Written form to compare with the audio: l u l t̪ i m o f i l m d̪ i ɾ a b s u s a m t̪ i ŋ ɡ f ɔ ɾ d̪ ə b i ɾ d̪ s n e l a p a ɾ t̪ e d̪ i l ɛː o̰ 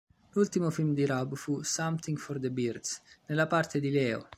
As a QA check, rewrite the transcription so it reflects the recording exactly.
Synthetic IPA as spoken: l u l t̪ i m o f i l m d̪ i ɾ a b f u s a m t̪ i ŋ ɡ f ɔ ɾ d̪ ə b i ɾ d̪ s n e l a p a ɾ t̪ e d̪ i l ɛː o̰